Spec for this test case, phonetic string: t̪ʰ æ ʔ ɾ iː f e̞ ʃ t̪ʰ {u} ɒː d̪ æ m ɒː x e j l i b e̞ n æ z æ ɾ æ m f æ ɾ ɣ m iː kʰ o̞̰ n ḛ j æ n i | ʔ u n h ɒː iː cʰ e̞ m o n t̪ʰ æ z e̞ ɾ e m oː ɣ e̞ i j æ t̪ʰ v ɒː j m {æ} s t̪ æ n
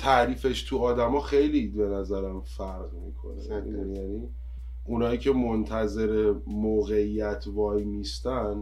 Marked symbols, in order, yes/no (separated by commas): yes, no